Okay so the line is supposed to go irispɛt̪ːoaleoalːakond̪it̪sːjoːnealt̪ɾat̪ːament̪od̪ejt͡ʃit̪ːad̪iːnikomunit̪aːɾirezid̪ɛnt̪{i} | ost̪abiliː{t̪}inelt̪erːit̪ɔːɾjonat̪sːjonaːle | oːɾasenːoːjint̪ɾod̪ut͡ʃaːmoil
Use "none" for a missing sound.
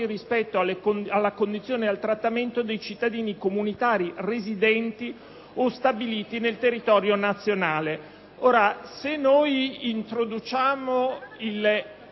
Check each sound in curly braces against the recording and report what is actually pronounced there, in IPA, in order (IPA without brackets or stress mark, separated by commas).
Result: i, t̪